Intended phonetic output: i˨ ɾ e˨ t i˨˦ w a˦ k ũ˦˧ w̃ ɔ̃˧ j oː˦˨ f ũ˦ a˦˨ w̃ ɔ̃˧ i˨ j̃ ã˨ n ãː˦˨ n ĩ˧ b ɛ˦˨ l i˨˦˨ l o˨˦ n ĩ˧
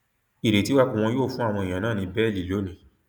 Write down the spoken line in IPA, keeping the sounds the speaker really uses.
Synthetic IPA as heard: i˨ ɾ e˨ t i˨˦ w a˦ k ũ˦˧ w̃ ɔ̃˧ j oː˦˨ f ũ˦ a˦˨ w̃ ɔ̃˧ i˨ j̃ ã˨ n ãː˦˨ n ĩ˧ b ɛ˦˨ l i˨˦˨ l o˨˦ n ĩ˧